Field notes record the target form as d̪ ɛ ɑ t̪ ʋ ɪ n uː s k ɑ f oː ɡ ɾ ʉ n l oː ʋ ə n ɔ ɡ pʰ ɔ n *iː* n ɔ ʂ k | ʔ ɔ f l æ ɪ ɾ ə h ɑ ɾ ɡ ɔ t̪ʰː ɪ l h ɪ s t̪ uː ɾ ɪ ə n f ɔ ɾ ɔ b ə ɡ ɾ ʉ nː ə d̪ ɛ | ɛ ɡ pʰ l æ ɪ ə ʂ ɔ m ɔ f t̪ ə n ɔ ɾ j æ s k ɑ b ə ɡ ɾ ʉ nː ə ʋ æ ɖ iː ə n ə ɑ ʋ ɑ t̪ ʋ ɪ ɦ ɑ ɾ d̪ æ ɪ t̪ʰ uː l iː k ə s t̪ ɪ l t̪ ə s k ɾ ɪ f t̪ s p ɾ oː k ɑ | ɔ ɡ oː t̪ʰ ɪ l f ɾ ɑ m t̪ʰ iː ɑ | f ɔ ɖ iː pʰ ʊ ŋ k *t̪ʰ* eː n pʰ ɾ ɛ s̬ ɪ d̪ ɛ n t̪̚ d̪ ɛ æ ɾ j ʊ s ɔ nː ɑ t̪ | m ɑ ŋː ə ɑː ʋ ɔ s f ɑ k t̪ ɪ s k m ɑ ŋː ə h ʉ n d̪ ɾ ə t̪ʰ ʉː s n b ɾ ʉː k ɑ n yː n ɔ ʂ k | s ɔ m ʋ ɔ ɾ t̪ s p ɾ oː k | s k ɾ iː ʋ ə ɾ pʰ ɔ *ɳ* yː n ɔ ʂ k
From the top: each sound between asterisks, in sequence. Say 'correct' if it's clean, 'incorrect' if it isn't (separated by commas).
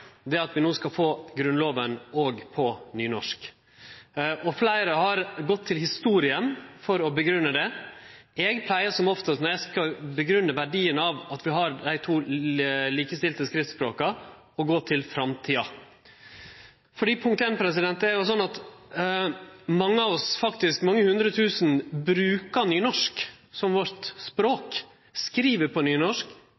incorrect, incorrect, incorrect